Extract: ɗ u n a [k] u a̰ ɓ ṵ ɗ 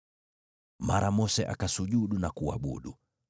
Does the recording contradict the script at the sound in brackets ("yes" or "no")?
no